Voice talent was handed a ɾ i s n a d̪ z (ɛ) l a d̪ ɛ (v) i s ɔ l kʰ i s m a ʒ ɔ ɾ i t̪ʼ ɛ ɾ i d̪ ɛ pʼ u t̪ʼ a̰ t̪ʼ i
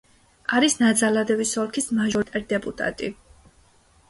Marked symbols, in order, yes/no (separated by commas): no, yes